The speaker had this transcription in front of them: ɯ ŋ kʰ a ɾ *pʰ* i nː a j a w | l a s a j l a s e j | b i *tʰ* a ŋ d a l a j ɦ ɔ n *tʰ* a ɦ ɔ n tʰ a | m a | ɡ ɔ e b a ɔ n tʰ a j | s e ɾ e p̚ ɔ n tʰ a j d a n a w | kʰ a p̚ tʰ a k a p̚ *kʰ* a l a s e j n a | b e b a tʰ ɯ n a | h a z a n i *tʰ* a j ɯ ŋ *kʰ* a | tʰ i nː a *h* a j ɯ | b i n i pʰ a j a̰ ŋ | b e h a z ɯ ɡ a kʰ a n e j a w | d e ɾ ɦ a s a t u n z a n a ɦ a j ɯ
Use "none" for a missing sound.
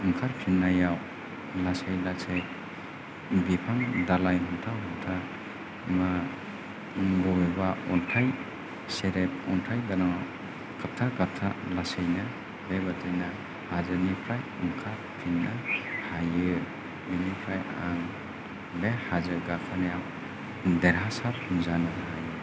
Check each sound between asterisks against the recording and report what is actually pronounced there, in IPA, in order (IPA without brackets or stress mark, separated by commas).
pʰ, pʰ, tʰ, tʰ, pʰ, kʰ, h